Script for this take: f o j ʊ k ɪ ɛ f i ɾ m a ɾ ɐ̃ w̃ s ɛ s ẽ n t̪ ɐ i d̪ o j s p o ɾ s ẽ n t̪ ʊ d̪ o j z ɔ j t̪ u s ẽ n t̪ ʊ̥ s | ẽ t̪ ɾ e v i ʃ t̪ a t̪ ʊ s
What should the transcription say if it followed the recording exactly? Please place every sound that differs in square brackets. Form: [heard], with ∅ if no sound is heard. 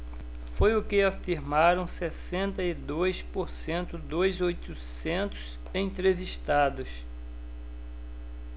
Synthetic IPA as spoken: f o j ʊ k ɪ [a] f i ɾ m a ɾ ɐ̃ w̃ s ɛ s ẽ n t̪ ɐ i d̪ o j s p o ɾ s ẽ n t̪ ʊ d̪ o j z [o] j t̪ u s ẽ n t̪ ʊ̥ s | ẽ t̪ ɾ e v i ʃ t̪ a [d̪] ʊ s